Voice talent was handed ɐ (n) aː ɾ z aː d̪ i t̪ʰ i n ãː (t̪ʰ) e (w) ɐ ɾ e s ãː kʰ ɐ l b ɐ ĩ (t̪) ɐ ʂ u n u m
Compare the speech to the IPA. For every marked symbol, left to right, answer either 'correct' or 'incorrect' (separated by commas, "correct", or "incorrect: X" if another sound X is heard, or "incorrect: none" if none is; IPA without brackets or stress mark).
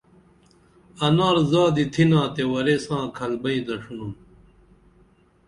correct, incorrect: t̪, correct, incorrect: d̪